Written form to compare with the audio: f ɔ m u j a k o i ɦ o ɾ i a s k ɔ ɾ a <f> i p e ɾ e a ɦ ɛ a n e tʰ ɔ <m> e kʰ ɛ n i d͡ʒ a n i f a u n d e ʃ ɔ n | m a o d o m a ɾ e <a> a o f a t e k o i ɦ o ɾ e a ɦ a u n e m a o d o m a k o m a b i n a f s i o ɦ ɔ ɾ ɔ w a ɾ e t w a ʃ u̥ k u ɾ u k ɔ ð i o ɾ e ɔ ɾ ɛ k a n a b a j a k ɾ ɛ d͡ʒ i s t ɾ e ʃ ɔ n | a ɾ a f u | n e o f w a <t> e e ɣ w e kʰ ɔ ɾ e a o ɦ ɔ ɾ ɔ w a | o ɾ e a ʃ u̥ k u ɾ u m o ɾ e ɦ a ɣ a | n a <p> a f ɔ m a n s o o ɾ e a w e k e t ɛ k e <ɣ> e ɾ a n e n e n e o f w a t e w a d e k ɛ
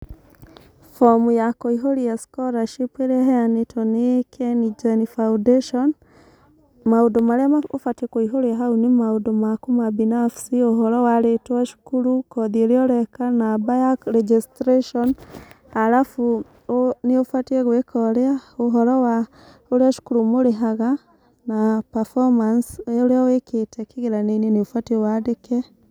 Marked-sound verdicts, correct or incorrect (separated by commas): incorrect, incorrect, correct, correct, correct, correct